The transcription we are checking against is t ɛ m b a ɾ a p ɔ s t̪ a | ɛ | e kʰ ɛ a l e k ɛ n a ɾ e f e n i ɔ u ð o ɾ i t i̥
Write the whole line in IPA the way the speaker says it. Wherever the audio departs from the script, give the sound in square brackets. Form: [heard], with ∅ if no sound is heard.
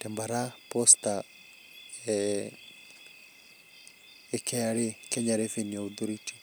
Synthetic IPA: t ɛ m b a ɾ a p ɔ s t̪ a | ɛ | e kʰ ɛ a [ɾ] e k ɛ [ɲ] a ɾ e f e n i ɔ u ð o ɾ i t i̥